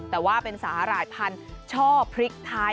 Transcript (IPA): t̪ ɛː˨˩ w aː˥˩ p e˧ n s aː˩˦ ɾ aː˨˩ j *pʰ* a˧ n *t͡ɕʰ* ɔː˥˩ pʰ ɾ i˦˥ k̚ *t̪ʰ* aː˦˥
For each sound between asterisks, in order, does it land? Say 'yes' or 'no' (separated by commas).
yes, yes, yes